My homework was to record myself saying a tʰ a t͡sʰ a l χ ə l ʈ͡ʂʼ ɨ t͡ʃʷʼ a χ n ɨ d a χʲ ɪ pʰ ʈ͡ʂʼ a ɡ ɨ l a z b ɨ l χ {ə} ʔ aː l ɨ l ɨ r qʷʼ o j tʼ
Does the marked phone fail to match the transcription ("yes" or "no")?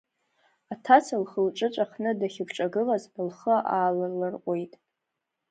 no